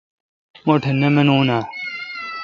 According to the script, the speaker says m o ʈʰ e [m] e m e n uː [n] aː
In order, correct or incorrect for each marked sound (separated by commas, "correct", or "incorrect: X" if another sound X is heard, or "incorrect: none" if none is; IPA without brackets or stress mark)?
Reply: incorrect: n, correct